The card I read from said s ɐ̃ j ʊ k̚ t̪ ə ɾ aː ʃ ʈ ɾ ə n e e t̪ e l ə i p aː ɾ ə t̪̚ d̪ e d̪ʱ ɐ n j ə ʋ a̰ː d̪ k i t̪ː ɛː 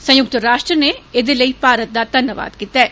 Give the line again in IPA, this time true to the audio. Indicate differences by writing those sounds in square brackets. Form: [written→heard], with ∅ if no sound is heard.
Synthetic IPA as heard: s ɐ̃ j ʊ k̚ t̪ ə ɾ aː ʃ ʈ ɾ ə n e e [t̪→d̪] e l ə i p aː ɾ ə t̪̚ d̪ [e→a] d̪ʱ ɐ n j ə ʋ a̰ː d̪ k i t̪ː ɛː